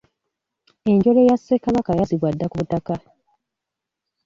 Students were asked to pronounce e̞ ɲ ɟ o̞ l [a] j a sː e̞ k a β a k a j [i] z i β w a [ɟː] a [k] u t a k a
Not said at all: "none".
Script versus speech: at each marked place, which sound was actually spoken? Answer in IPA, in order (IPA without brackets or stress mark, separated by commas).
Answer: e, a, dː, k